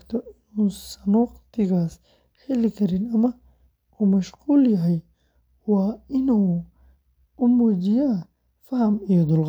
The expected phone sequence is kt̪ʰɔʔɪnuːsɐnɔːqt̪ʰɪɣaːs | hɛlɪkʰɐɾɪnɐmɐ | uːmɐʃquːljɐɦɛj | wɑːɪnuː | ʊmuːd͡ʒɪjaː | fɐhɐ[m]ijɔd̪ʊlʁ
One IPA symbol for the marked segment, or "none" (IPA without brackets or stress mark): m